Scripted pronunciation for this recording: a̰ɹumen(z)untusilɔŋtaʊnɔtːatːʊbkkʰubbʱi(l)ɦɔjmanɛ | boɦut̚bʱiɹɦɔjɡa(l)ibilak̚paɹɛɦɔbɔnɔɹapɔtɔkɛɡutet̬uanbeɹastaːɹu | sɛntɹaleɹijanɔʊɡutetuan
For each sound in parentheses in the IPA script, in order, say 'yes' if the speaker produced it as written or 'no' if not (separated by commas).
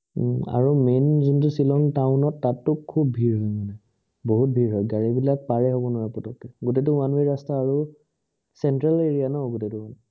yes, no, no